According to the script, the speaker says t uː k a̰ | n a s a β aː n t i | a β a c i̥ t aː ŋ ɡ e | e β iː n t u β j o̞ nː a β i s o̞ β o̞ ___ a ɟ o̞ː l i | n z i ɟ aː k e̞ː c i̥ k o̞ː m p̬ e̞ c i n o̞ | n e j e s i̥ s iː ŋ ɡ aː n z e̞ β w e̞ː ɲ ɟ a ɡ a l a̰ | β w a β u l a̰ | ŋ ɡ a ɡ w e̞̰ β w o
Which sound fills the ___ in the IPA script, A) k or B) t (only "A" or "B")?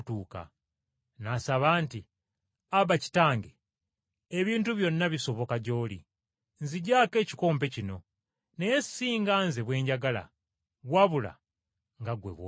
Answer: A